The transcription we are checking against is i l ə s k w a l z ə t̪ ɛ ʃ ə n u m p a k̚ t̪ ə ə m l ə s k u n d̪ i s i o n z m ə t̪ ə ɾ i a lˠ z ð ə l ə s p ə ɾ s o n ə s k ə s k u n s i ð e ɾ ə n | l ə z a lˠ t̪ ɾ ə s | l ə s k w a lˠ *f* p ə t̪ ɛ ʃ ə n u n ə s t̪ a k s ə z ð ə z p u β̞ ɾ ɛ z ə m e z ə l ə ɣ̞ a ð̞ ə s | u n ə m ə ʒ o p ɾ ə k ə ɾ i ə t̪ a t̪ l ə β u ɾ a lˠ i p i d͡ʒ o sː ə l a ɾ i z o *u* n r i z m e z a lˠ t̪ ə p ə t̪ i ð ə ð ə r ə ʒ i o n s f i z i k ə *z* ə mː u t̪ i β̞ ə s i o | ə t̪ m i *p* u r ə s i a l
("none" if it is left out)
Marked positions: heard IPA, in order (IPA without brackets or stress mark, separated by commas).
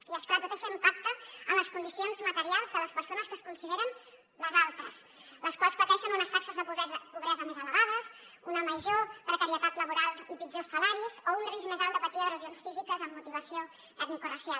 s, u, z, k